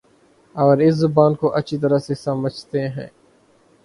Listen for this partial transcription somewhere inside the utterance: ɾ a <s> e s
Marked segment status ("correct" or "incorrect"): correct